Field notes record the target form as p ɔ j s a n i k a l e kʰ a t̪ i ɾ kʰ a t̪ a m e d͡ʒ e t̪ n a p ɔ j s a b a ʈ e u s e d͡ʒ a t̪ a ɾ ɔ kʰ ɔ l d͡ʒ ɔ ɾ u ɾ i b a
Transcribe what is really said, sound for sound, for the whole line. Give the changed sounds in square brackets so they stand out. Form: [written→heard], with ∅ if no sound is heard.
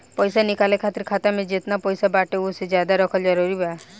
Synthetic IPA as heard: p ɔ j s a n i k a l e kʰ a t̪ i ɾ kʰ a t̪ a m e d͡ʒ e t̪ n a p ɔ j s a b a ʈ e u s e d͡ʒ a [t̪→d̪] a ɾ ɔ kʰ ɔ l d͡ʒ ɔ ɾ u ɾ i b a

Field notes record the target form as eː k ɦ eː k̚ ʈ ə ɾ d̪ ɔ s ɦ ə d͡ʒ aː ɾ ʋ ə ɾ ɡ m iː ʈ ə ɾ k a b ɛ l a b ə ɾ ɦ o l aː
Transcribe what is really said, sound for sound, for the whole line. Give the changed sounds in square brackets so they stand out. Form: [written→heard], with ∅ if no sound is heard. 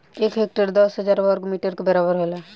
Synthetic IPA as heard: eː k ɦ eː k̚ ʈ ə ɾ d̪ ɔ s ɦ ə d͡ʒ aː ɾ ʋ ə ɾ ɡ m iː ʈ ə ɾ k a b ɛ [l→ɾ] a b ə ɾ ɦ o l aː

